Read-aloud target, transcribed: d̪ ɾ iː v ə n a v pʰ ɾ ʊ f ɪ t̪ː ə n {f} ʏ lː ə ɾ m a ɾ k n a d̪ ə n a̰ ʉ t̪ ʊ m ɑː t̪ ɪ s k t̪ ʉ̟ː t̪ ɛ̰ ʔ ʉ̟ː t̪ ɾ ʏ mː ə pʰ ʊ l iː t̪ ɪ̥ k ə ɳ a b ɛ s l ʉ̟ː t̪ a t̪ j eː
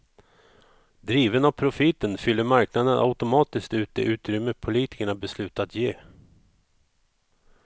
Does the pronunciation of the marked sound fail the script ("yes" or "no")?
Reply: no